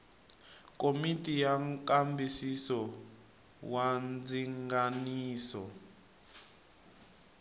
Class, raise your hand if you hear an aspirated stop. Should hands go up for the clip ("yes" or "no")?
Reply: no